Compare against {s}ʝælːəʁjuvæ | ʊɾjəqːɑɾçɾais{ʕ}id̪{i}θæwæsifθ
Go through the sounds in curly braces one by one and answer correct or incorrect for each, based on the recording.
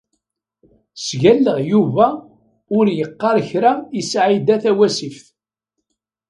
correct, correct, incorrect

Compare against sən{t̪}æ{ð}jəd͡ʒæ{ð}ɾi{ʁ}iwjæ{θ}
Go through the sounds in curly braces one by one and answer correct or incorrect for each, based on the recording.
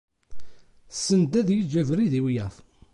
incorrect, correct, incorrect, incorrect, correct

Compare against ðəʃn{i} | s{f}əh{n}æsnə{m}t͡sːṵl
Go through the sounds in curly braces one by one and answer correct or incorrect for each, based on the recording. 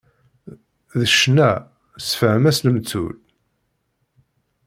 incorrect, correct, incorrect, correct

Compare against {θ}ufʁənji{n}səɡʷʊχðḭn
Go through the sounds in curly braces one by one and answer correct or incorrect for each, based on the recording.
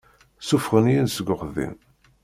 incorrect, correct

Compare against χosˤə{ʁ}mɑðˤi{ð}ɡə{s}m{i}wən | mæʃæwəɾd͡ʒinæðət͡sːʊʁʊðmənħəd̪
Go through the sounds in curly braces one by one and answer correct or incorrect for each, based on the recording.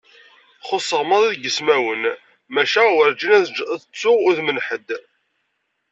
correct, correct, correct, incorrect

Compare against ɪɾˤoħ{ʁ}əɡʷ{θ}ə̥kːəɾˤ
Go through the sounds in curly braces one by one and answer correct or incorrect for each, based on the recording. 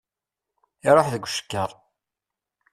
incorrect, incorrect

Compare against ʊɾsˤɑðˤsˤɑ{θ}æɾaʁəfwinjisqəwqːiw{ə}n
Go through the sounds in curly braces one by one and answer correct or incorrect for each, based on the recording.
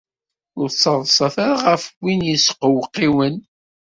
correct, correct

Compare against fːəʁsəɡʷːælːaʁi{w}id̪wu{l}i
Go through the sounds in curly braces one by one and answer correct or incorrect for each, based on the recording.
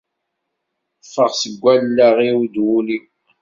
correct, correct

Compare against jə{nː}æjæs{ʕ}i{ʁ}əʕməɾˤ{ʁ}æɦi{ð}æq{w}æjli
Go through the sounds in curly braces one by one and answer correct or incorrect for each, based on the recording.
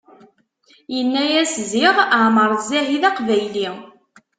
correct, incorrect, correct, incorrect, correct, incorrect

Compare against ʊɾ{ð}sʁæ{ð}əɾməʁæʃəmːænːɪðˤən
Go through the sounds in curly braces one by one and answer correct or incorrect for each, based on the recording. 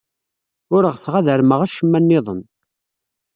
incorrect, correct

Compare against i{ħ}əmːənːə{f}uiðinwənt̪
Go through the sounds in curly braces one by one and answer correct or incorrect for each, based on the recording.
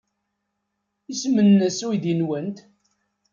incorrect, incorrect

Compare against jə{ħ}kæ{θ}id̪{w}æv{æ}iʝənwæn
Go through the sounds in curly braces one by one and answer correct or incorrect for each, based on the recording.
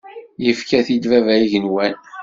incorrect, correct, incorrect, correct

